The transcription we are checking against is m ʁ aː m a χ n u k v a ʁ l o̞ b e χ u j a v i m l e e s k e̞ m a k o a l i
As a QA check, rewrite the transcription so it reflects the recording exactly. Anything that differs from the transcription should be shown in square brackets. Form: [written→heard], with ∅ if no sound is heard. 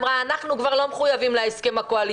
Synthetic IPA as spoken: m ʁ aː [m→n] a χ n u k v a ʁ l o̞ [b→m] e χ u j a v i m l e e s k e̞ m a k o a l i